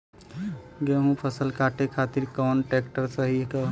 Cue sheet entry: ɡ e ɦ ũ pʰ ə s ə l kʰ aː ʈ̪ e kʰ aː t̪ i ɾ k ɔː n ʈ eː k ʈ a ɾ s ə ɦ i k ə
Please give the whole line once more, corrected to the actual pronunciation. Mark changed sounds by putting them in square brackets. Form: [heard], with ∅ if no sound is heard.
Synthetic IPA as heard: ɡ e ɦ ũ pʰ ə s ə l kʰ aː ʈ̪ e kʰ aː t̪ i ɾ k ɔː n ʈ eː k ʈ [ə] ɾ s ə ɦ i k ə